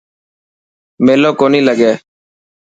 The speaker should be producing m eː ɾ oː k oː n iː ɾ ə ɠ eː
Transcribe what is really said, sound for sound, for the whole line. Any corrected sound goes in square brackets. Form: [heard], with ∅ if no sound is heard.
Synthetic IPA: m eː [l] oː k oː n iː [l] ə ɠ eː